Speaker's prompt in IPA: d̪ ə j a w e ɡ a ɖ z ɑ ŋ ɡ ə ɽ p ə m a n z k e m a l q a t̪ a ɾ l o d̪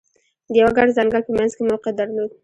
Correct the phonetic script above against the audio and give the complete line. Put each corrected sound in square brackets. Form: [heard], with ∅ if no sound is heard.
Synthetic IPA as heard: d̪ ə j a w [a] ɡ a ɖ z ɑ ŋ ɡ ə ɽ p ə m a n z k e m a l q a [d̪] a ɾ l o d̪

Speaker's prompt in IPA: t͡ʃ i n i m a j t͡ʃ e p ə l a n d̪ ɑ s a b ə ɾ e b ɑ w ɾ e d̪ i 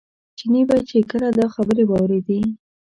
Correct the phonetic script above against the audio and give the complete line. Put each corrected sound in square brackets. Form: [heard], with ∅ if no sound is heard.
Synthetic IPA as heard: t͡ʃ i n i [b] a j t͡ʃ e [k] ə l a [∅] d̪ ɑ [x] a b ə ɾ e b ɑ w ɾ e d̪ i

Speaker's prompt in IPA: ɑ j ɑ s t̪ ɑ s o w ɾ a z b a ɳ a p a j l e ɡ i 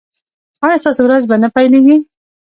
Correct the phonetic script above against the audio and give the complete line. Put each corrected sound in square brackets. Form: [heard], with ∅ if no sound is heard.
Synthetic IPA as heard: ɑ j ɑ s t̪ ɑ s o w ɾ a z b a [n] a p a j l e ɡ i

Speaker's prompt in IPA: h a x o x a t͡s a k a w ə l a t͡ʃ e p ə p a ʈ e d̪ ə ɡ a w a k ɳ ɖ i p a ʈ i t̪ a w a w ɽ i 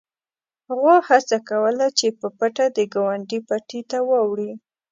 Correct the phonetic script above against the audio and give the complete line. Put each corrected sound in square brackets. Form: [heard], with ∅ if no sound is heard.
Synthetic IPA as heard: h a [ɣ] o [h] a t͡s a k a w ə l a t͡ʃ e p ə p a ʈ [a] d̪ ə ɡ a w a [∅] ɳ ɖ i p a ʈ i t̪ a w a w ɽ i

